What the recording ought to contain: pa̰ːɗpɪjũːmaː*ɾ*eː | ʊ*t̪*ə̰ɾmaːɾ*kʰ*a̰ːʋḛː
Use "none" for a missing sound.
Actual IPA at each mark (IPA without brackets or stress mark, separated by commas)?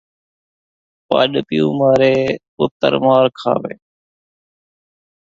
ɾ, t̪, kʰ